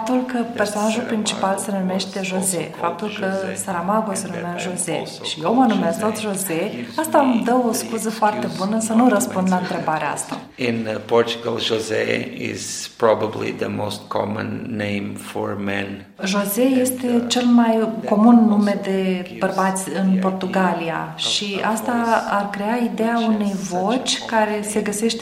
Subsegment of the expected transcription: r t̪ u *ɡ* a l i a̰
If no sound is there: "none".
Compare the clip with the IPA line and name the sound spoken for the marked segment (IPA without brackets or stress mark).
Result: ɡ